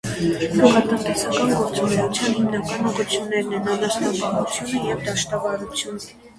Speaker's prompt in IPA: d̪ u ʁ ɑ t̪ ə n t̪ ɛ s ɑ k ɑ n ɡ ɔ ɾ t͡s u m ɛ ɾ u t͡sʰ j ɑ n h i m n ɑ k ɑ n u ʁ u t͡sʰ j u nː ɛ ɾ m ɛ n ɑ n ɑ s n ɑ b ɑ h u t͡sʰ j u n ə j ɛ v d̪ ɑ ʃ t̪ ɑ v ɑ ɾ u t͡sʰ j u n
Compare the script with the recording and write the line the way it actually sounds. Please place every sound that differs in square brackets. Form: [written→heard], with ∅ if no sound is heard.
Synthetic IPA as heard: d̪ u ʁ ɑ t̪ ə n t̪ ɛ s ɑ k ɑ n ɡ ɔ ɾ t͡s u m ɛ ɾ u t͡sʰ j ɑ n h i m n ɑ k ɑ n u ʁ u t͡sʰ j u nː ɛ ɾ [m→n] ɛ n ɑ n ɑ s n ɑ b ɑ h u t͡sʰ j u n ə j ɛ v d̪ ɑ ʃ t̪ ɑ v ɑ ɾ u t͡sʰ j u n

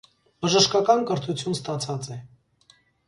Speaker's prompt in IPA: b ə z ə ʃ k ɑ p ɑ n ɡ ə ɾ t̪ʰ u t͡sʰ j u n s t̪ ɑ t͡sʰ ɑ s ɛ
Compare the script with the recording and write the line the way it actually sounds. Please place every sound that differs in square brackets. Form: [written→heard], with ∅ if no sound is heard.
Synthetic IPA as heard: b ə [z→ʒ] ə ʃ k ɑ [p→k] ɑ n [ɡ→k] ə ɾ t̪ʰ u t͡sʰ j u n s t̪ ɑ t͡sʰ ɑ [s→t͡s] ɛ

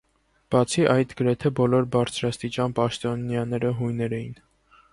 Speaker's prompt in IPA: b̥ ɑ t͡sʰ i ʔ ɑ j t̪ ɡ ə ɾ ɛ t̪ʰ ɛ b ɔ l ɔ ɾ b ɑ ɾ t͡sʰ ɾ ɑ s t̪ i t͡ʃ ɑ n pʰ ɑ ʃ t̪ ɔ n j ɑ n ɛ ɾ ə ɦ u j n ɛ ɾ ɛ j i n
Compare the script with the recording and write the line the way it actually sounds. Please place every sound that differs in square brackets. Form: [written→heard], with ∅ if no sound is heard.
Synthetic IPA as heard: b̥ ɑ t͡sʰ i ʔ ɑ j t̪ ɡ ə ɾ ɛ t̪ʰ ɛ b ɔ l ɔ ɾ b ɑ ɾ t͡sʰ ɾ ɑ s t̪ i t͡ʃ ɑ n [pʰ→p] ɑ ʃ t̪ ɔ n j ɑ n ɛ ɾ ə ɦ u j n ɛ ɾ ɛ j i n

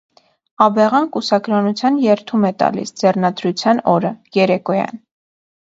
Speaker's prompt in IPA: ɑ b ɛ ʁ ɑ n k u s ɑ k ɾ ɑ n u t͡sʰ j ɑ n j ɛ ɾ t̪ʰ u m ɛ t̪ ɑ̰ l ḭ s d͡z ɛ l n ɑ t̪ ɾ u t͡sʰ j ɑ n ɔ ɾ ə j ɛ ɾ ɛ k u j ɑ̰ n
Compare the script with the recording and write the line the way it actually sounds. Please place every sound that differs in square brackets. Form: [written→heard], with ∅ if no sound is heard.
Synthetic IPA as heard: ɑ b ɛ ʁ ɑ n k u s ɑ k ɾ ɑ n u t͡sʰ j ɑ n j ɛ ɾ t̪ʰ u m ɛ t̪ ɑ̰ l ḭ s d͡z ɛ [l→r] n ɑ [t̪→d̪] ɾ u t͡sʰ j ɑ n ɔ ɾ ə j ɛ ɾ ɛ k [u→ɔ] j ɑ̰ n

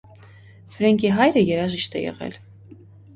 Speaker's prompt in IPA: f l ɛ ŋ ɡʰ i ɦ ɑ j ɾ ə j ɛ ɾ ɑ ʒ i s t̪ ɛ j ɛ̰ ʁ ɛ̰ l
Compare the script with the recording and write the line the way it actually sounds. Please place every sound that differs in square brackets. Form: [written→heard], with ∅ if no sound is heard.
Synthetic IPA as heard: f [l→ɾ] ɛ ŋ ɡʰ i ɦ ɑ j ɾ ə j ɛ ɾ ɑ ʒ i [s→ʃ] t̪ ɛ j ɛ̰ ʁ ɛ̰ l

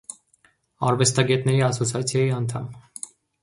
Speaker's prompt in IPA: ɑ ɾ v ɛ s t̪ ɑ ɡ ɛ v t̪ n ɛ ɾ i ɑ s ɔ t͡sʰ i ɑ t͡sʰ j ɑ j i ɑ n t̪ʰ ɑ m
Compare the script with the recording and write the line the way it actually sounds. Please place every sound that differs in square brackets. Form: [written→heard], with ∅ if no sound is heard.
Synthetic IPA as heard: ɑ ɾ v ɛ s t̪ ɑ ɡ ɛ [v→∅] t̪ n ɛ ɾ i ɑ s ɔ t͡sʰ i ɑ t͡sʰ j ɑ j i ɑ n t̪ʰ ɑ m

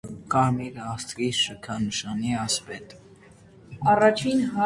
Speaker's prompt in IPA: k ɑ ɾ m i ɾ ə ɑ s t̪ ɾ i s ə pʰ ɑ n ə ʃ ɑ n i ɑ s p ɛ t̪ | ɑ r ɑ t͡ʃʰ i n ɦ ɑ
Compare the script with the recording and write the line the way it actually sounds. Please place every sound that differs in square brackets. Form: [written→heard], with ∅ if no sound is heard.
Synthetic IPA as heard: k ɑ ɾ m i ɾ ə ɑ s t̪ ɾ i [s→ʃ] ə [pʰ→kʰ] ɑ n ə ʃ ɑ n i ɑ s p ɛ t̪ | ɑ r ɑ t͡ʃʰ i n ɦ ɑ

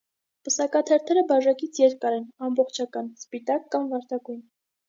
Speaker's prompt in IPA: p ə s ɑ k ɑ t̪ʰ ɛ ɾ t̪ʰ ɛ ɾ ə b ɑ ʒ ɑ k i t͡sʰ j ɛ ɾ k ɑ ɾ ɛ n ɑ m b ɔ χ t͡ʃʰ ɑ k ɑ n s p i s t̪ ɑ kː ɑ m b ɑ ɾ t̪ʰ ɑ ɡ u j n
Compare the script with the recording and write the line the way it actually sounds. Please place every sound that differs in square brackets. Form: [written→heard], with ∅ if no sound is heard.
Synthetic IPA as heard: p ə s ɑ k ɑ t̪ʰ ɛ ɾ t̪ʰ ɛ ɾ ə b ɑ ʒ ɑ k i t͡sʰ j ɛ ɾ k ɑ ɾ ɛ n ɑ m b ɔ χ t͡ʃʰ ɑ k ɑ n s p i [s→∅] t̪ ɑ kː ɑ m [b→v] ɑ ɾ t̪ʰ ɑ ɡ u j n

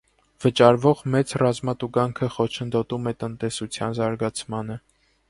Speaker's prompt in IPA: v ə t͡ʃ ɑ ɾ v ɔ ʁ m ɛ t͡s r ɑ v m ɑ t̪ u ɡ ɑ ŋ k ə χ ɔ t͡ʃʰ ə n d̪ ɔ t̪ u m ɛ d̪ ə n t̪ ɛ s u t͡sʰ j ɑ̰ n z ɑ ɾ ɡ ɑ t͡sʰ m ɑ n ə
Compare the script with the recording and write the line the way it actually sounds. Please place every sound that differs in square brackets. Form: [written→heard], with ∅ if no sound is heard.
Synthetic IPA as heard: v ə t͡ʃ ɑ ɾ v ɔ ʁ m ɛ t͡s r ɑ [v→z] m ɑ t̪ u ɡ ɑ ŋ [k→kʰ] ə χ ɔ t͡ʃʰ ə n d̪ ɔ t̪ u m ɛ [d̪→t̪] ə n t̪ ɛ s u t͡sʰ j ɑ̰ n z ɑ ɾ ɡ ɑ t͡sʰ m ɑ n ə

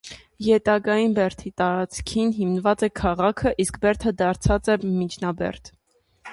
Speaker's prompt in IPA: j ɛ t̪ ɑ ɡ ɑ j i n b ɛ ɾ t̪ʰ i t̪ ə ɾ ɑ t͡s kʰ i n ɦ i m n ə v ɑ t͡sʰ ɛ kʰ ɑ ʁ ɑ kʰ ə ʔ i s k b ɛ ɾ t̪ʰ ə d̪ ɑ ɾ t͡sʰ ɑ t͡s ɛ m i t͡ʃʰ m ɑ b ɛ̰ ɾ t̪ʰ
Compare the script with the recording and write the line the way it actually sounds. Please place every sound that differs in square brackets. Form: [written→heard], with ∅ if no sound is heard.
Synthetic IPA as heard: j ɛ t̪ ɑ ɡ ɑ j i n b ɛ ɾ t̪ʰ i t̪ [ə→ɑ] ɾ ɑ t͡s kʰ i n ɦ i m n ə v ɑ [t͡sʰ→t͡s] ɛ kʰ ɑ ʁ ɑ kʰ ə ʔ i s k b ɛ ɾ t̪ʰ ə d̪ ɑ ɾ t͡sʰ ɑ t͡s ɛ m i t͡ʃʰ [m→n] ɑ b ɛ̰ ɾ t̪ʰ

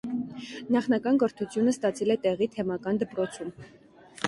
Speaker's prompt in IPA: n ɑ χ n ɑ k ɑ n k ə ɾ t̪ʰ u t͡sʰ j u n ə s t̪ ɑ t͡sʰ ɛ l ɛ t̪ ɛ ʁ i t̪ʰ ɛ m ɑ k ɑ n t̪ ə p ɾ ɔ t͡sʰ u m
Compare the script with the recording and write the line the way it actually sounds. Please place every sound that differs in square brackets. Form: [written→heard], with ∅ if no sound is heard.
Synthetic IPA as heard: n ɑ χ n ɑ k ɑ n k ə ɾ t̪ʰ u t͡sʰ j u n ə s t̪ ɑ t͡sʰ ɛ l ɛ t̪ ɛ ʁ i t̪ʰ ɛ m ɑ k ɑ n [t̪→d̪] ə p ɾ ɔ t͡sʰ u m

